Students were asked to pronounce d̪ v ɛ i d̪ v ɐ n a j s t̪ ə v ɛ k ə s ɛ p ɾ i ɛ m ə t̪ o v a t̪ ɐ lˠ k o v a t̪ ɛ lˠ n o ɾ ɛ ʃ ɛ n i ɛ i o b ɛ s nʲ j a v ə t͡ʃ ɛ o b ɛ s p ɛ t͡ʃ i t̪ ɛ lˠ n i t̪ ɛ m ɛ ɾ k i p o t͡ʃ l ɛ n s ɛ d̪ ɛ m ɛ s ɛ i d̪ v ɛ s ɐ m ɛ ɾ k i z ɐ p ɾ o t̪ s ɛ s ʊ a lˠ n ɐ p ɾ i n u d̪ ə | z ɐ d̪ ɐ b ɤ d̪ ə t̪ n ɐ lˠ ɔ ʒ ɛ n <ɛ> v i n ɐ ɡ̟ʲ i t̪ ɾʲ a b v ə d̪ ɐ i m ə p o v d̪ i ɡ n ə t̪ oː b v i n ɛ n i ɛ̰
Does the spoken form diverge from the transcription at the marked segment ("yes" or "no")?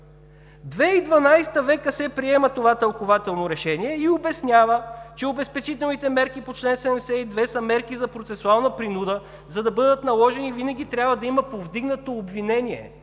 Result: yes